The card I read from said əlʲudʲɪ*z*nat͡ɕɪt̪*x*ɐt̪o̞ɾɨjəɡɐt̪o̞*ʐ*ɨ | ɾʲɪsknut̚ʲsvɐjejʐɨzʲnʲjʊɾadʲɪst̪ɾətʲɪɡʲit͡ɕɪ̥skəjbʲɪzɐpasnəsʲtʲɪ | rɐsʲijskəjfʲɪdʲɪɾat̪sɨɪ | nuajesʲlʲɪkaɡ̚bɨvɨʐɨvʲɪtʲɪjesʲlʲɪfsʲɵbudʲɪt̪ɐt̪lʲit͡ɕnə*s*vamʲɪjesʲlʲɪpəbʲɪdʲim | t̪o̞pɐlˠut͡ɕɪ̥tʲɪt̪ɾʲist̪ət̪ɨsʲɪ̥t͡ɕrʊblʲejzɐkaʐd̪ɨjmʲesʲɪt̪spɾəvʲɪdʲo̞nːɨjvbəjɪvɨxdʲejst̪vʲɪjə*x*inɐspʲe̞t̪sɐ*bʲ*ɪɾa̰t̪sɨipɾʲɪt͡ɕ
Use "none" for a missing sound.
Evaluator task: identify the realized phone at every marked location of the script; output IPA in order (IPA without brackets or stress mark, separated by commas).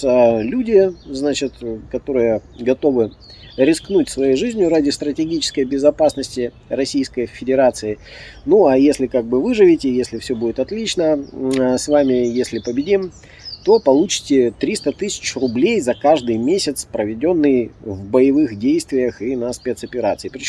z, k, v, s, x, pʲ